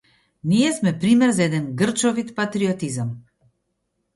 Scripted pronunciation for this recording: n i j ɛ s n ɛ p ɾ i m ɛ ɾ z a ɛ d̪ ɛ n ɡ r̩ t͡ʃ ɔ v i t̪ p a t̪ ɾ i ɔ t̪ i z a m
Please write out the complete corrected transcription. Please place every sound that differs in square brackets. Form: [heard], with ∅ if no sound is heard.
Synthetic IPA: n i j ɛ s [m] ɛ p ɾ i m ɛ ɾ z a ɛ d̪ ɛ n ɡ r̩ t͡ʃ ɔ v i t̪ p a t̪ ɾ i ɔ t̪ i z a m